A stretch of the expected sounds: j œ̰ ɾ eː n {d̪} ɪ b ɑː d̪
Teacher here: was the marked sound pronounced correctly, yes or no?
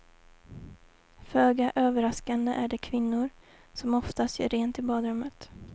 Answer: no